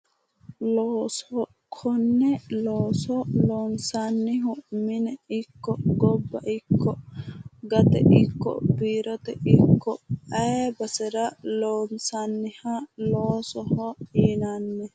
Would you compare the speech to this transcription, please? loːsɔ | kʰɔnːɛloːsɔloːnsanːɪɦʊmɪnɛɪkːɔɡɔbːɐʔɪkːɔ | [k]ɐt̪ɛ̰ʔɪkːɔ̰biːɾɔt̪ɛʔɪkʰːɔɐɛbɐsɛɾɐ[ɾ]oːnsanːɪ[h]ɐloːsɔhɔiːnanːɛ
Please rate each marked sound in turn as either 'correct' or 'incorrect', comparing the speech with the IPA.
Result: incorrect, incorrect, correct

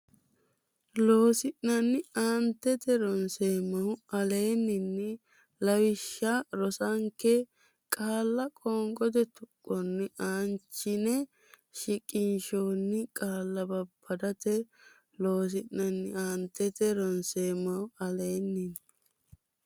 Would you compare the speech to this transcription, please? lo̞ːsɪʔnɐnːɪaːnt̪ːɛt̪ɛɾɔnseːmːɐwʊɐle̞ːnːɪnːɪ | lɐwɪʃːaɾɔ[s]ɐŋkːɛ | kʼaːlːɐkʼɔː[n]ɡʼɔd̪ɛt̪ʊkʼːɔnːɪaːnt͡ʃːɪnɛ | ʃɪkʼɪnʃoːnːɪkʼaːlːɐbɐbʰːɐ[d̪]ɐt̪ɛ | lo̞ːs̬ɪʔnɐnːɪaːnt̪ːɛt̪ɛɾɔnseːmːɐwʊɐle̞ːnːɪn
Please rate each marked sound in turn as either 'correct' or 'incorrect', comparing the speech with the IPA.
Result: correct, incorrect, correct

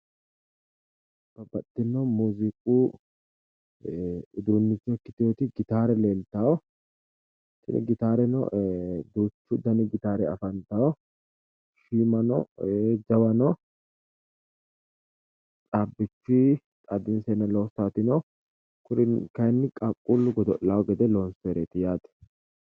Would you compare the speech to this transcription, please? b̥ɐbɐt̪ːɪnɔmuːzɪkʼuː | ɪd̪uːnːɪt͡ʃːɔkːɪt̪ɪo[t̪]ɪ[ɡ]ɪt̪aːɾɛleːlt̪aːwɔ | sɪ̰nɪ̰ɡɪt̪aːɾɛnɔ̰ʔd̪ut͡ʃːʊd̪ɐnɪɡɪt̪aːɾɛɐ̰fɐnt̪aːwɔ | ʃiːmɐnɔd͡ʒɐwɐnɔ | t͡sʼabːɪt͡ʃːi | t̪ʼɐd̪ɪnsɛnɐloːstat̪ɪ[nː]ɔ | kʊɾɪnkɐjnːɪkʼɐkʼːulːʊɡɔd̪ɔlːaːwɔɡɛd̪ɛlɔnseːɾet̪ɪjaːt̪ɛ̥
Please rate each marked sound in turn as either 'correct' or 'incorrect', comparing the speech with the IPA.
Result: correct, correct, incorrect

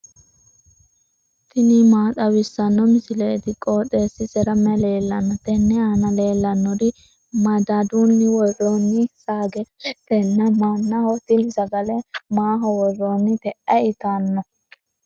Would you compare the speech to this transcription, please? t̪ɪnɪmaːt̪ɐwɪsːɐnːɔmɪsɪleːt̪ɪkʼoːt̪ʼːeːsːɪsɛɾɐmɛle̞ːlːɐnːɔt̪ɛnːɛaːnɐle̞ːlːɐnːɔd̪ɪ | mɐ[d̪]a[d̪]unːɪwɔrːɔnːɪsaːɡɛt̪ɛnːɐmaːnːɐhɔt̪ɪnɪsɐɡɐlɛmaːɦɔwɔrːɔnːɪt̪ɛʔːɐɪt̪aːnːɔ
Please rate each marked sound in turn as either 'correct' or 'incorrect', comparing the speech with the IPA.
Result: correct, correct

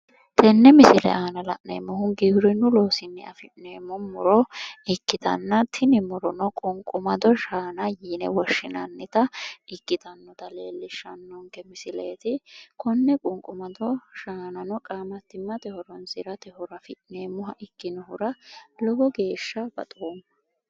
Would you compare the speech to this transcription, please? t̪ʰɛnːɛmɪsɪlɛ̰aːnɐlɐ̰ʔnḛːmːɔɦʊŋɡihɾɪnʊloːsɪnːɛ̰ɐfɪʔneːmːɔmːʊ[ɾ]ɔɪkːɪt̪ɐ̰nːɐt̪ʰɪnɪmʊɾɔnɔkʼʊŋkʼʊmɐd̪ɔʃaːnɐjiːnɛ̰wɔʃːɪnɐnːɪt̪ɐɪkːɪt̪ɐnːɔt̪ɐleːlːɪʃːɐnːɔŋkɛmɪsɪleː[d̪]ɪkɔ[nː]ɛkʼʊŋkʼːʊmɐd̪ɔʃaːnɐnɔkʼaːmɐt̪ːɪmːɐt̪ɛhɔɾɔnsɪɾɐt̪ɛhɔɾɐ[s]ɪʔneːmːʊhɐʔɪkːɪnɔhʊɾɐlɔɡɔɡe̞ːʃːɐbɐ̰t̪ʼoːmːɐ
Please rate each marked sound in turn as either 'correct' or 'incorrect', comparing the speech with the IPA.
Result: correct, incorrect, correct, incorrect

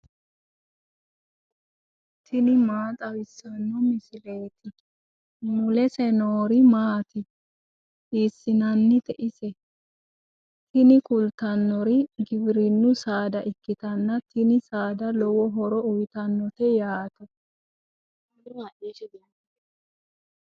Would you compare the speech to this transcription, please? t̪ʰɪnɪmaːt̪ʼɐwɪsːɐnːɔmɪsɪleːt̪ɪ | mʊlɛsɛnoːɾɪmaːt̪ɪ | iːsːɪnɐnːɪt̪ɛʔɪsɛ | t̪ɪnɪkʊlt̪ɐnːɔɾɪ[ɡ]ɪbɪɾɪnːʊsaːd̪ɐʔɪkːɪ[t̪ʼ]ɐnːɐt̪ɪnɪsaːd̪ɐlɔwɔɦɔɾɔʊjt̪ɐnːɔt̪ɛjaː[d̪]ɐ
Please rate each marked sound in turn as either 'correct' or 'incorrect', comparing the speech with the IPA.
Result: correct, incorrect, incorrect

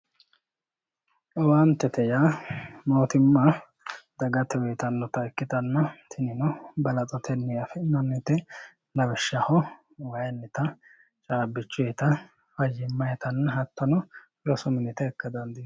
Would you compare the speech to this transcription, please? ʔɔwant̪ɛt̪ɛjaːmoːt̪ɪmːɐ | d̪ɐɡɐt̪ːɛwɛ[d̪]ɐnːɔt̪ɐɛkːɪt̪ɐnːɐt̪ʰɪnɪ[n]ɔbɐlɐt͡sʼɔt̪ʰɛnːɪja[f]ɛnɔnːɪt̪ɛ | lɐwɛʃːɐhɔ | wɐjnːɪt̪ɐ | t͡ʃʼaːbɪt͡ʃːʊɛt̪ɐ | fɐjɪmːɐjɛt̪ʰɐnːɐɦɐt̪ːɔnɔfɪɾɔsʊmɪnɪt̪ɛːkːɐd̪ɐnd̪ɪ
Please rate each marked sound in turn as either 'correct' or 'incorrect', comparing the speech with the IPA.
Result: incorrect, correct, correct

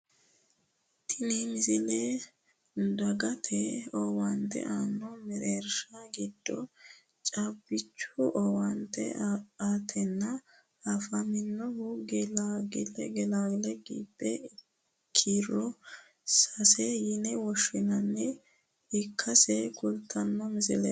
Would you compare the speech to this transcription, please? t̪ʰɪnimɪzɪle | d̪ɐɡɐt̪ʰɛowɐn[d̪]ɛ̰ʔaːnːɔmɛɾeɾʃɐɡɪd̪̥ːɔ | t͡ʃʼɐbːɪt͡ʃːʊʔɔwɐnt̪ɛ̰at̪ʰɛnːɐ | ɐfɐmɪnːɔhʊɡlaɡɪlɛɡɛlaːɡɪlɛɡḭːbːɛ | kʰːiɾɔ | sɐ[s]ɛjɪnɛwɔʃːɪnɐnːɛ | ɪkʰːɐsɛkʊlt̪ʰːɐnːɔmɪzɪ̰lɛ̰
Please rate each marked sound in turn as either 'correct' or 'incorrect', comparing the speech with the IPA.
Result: incorrect, correct

